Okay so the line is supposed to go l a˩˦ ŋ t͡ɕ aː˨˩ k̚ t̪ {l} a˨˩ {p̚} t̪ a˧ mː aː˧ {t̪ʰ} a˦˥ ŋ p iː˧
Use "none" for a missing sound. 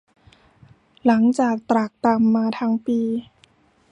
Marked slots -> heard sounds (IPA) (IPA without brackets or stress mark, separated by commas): ɾ, k̚, t̪ʰ